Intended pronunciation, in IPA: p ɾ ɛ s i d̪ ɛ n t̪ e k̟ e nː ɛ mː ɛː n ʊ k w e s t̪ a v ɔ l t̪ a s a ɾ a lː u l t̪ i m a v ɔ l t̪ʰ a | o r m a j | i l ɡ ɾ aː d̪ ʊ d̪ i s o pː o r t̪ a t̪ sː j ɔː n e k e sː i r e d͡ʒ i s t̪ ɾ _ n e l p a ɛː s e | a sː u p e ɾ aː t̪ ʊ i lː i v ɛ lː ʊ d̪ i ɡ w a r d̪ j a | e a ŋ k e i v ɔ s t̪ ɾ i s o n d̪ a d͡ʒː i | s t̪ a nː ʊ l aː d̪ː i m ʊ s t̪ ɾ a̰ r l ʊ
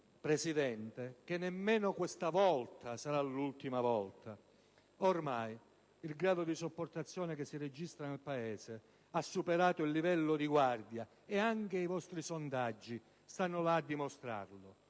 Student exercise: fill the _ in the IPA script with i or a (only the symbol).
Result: a